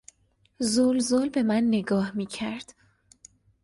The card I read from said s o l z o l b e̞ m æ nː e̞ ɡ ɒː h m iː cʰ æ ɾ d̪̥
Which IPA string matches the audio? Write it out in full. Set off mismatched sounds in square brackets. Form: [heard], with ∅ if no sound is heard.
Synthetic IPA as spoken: [z] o l z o l b e̞ m æ nː e̞ ɡ ɒː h m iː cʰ æ ɾ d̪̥